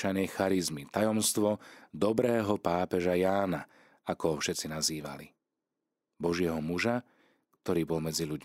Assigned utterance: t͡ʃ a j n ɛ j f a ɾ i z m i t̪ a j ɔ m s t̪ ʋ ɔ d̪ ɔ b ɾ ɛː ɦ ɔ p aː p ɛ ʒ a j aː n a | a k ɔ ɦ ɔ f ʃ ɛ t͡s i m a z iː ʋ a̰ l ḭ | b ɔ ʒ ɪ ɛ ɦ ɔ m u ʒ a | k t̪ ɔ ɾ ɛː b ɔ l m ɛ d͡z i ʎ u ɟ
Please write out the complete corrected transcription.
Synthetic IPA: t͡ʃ a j n ɛ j x a ɾ i z m i t̪ a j ɔ m s t̪ ʋ ɔ d̪ ɔ b ɾ ɛː ɦ ɔ p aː p ɛ ʒ a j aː n a | a k ɔ ɦ ɔ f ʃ ɛ t͡s i n a z iː ʋ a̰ l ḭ | b ɔ ʒ ɪ ɛ ɦ ɔ m u ʒ a | k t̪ ɔ ɾ iː b ɔ l m ɛ d͡z i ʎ u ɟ